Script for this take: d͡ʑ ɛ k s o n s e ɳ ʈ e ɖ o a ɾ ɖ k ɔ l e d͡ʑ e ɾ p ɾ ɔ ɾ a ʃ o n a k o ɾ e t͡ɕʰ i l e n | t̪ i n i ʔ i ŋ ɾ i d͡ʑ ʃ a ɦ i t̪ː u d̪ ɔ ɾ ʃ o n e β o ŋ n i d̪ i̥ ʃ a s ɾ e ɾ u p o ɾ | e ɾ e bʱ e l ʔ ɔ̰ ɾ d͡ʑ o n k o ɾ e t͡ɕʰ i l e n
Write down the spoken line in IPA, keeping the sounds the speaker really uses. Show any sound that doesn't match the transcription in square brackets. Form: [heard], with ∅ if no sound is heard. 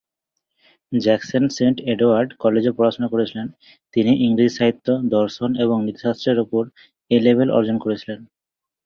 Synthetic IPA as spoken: d͡ʑ ɛ k s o n s e ɳ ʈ e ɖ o a ɾ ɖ k ɔ l e d͡ʑ e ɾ p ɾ ɔ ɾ a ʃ o n a k o ɾ e t͡ɕʰ i l e n | t̪ i n i ʔ i ŋ ɾ i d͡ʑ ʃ a ɦ i t̪ː [o] d̪ ɔ ɾ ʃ o n e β o ŋ n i [t̪] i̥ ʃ a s ɾ e ɾ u p o ɾ | e [l] e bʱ e l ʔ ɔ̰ ɾ d͡ʑ o n k o ɾ e t͡ɕʰ i l e n